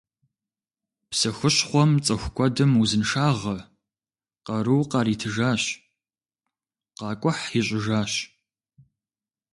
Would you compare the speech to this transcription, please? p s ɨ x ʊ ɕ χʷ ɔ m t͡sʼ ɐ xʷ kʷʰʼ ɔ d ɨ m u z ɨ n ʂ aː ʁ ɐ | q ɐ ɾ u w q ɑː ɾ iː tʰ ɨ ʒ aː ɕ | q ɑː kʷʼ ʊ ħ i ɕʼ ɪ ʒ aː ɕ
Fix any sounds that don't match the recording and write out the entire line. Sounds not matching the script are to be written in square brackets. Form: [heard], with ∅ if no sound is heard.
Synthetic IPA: p s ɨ x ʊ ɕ χʷ ɔ m t͡sʼ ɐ xʷ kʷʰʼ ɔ d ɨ m u z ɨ n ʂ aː ʁ ɐ | q ɐ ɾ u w q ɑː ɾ iː tʰ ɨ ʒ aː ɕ | q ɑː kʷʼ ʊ ħ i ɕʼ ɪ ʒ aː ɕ

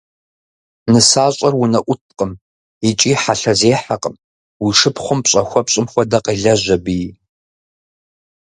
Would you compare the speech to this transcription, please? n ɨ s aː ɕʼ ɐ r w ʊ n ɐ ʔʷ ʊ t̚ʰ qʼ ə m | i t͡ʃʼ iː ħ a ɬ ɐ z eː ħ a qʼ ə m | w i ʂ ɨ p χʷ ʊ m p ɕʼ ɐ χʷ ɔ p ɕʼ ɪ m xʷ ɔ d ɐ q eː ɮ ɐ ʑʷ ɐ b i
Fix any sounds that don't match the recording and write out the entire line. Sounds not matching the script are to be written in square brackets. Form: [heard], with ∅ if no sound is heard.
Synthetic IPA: n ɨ s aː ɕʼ ɐ r w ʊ n ɐ ʔʷ ʊ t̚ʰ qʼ ə m | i t͡ʃʼ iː ħ a ɬ ɐ z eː ħ a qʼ ə m | w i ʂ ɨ p χʷ ʊ m p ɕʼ ɐ [xʷ] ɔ p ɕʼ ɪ m xʷ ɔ d ɐ q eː ɮ ɐ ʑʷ ɐ b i

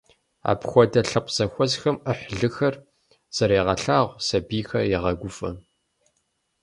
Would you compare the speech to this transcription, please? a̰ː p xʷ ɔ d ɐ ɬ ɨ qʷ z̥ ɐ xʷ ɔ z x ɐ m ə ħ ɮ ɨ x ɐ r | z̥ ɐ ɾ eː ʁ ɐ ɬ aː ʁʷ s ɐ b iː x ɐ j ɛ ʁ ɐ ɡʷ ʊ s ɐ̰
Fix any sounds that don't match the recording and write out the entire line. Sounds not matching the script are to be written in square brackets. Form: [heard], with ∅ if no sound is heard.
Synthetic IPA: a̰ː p xʷ ɔ d ɐ ɬ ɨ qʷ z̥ ɐ xʷ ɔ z x ɐ m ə ħ ɮ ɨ x ɐ r | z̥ ɐ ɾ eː ʁ ɐ ɬ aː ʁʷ s ɐ b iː x ɐ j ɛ ʁ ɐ ɡʷ ʊ [f] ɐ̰

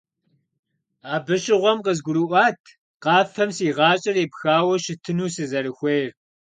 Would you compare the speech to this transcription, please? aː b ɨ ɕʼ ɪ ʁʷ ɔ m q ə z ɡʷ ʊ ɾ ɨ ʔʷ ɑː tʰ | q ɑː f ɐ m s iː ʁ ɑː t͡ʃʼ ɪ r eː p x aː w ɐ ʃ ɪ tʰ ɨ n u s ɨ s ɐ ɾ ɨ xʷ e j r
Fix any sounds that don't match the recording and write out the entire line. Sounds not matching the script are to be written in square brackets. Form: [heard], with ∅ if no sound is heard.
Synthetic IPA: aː b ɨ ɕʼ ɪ ʁʷ ɔ m q ə z ɡʷ ʊ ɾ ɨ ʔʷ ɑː tʰ | q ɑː f ɐ m s iː ʁ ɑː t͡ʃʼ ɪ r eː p x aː w ɐ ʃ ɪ tʰ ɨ n [uː] s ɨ [z] ɐ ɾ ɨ xʷ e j r

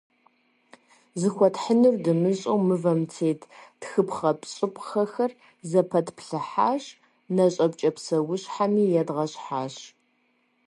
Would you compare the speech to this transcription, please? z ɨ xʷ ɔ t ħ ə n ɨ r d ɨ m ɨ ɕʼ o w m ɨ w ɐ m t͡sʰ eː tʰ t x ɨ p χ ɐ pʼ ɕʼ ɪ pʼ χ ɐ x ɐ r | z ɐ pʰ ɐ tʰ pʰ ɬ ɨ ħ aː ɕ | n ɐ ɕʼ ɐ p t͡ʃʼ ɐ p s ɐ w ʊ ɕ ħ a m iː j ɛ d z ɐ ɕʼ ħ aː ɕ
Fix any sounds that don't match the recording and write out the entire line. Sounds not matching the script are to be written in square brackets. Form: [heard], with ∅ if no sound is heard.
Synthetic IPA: z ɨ xʷ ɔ t ħ ə n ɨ r d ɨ m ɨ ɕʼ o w m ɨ [v] ɐ m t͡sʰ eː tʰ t x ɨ p χ ɐ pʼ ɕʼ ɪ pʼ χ ɐ x ɐ r | z ɐ pʰ ɐ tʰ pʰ ɬ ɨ ħ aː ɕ | n ɐ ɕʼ ɐ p t͡ʃʼ ɐ p s ɐ w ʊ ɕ ħ a m iː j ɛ d [ʁ] ɐ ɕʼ ħ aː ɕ

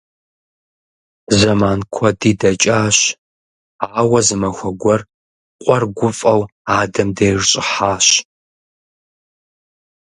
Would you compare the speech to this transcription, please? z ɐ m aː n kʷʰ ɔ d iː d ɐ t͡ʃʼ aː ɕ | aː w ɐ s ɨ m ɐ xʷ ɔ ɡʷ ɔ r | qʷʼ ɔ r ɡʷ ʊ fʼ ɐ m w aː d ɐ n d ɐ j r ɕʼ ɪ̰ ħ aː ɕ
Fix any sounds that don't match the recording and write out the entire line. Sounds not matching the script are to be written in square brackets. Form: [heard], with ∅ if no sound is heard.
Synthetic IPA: z ɐ m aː n kʷʰ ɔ d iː d ɐ t͡ʃʼ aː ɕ | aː w ɐ [z] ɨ m ɐ xʷ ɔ ɡʷ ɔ r | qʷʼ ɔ r ɡʷ ʊ fʼ ɐ [∅] w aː d ɐ [m] d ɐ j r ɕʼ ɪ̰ ħ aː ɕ

